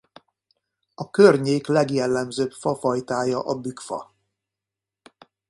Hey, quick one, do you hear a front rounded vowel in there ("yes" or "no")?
yes